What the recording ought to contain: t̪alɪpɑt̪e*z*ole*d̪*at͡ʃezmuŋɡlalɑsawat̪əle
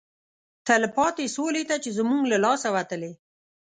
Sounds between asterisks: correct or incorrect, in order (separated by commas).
incorrect, incorrect